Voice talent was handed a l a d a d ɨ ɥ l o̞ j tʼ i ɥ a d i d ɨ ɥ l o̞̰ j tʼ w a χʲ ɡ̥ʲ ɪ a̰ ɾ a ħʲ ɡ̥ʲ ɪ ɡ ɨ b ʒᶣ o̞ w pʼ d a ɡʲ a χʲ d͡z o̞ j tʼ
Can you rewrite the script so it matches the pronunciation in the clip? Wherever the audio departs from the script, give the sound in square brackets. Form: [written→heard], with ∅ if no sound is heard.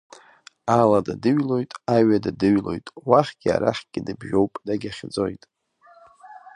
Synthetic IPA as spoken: a l a d a d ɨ ɥ l o̞ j tʼ [i→a] ɥ a d [i→a] d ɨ ɥ l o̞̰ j tʼ w a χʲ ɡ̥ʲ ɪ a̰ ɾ a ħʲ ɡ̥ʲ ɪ [ɡ→d] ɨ b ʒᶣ o̞ w pʼ d a ɡʲ a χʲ d͡z o̞ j tʼ

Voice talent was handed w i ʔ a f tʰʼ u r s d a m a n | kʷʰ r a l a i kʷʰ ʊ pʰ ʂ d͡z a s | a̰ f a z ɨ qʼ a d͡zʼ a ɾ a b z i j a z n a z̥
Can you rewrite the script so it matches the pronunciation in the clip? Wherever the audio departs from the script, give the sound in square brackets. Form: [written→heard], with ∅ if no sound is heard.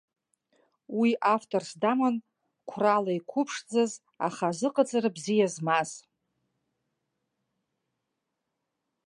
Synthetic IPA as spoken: w i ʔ a f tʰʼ [u→o] r s d a m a n | kʷʰ r a l a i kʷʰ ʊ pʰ ʂ d͡z a [s→z] | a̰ [f→χ] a z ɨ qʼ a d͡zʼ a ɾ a b z i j a z [n→m] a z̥

